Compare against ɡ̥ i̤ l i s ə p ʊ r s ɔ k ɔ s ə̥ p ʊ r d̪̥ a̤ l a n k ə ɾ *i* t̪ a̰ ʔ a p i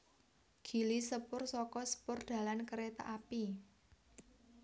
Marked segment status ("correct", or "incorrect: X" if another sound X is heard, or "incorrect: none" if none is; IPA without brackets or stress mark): incorrect: e